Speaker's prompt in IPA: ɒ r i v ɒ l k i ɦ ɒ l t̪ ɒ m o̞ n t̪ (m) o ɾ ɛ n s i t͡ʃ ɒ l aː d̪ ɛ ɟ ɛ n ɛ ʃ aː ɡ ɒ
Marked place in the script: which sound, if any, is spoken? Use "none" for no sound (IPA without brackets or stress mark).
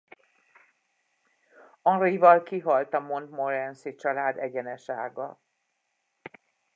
m